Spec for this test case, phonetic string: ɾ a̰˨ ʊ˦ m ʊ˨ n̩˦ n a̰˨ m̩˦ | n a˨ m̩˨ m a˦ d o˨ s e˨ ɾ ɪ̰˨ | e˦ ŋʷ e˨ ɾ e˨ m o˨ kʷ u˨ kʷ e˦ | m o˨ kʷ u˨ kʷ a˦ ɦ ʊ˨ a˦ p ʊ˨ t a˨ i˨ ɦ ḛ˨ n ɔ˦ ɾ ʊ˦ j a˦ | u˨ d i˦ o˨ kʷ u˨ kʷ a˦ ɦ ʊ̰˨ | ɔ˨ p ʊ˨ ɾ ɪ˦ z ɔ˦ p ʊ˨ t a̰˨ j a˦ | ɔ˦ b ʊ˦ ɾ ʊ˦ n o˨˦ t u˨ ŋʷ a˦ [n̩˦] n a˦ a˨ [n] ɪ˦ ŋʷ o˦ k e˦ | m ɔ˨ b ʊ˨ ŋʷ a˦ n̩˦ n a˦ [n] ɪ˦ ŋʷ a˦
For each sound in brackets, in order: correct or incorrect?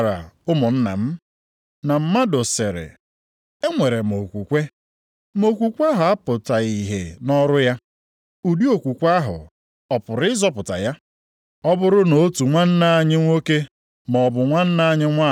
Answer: correct, incorrect: ɲ, incorrect: ɲ

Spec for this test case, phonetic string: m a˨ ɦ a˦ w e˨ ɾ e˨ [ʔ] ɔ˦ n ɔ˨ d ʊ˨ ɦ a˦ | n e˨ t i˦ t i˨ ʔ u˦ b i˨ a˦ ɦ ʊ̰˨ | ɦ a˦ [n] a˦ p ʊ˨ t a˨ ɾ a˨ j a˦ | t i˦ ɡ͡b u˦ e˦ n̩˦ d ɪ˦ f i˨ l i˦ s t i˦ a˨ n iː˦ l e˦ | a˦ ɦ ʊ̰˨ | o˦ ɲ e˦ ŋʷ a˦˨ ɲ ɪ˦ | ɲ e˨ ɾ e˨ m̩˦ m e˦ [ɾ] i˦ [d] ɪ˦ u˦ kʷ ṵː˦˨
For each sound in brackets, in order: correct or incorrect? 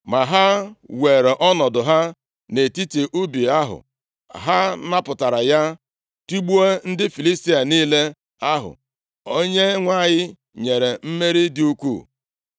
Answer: correct, correct, correct, correct

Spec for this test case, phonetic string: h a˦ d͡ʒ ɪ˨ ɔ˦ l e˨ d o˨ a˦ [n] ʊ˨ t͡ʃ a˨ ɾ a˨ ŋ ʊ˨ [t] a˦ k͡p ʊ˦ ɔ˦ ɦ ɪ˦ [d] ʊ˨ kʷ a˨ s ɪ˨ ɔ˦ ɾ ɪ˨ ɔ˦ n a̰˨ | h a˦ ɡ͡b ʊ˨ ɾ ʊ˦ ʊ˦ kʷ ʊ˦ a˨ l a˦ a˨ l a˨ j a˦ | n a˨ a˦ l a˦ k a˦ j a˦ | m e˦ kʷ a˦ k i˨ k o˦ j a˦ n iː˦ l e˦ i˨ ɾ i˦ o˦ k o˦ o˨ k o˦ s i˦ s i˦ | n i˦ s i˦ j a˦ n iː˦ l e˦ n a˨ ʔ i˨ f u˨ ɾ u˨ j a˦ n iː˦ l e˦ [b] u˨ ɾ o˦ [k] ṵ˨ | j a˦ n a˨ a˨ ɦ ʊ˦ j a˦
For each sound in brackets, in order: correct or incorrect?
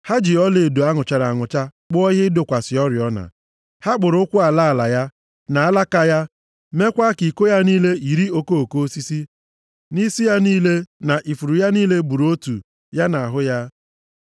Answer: incorrect: ŋ, incorrect: t͡ʃ, correct, correct, incorrect: t

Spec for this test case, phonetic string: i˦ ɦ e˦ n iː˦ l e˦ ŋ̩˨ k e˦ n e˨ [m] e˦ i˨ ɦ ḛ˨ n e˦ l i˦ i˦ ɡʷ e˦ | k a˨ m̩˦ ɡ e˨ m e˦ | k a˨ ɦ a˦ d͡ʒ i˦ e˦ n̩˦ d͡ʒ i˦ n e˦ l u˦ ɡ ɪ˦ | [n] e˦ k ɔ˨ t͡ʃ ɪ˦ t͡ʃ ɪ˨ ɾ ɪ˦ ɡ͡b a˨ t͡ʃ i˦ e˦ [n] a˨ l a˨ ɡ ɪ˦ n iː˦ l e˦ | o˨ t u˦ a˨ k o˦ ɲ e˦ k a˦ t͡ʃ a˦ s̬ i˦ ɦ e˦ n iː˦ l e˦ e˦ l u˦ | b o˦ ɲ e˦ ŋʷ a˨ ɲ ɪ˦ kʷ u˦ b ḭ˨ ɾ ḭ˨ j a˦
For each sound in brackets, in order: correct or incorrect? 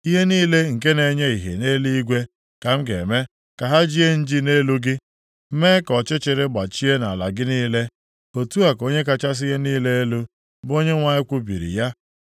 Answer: incorrect: ɲ, incorrect: m, correct

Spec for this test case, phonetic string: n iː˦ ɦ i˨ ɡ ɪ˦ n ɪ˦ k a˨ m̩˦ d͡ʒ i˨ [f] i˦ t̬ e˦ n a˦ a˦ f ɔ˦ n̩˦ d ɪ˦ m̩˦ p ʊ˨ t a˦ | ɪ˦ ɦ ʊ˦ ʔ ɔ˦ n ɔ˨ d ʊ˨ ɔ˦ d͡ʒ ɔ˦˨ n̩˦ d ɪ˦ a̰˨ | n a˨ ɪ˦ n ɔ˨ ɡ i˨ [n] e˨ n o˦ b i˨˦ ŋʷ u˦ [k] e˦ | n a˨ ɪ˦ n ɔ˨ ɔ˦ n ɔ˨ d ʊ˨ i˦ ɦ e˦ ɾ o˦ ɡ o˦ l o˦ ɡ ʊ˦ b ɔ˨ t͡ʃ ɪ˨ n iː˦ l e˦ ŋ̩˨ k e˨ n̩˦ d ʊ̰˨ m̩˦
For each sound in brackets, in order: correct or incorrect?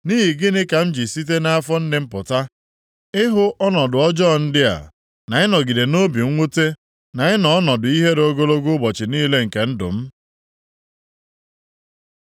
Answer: incorrect: s, incorrect: d, incorrect: t

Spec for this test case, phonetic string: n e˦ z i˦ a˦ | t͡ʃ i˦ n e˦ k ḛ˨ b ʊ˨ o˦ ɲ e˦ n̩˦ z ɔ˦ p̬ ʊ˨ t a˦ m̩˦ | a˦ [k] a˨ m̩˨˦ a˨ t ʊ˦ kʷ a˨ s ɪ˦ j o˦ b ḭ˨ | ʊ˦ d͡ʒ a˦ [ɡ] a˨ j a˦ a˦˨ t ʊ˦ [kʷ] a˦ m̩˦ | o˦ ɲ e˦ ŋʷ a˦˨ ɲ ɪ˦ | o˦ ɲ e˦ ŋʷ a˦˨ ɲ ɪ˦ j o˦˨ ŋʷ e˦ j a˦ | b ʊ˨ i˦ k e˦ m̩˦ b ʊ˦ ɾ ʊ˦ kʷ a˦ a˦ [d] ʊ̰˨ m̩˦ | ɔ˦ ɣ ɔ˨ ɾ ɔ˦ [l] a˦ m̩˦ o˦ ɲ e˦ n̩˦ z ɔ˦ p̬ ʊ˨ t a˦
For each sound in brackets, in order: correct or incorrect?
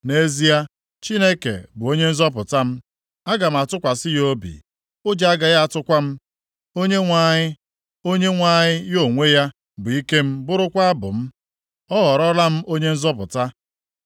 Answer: incorrect: ɡ, correct, correct, incorrect: b, correct

